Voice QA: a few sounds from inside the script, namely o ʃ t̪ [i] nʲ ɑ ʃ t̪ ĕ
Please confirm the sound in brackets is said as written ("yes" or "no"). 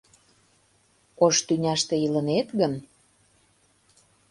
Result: no